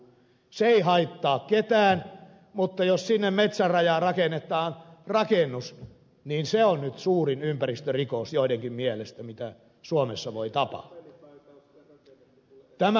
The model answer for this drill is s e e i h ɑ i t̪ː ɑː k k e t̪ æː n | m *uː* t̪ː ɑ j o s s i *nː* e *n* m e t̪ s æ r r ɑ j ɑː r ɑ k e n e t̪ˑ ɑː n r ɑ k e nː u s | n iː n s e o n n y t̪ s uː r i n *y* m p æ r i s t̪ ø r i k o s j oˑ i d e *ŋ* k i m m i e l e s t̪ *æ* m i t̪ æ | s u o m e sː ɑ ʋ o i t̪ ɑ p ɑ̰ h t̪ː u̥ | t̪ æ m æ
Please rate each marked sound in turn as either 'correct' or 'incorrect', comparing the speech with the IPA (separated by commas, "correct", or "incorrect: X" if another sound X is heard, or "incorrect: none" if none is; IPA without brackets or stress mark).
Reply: incorrect: u, correct, incorrect: m, correct, correct, correct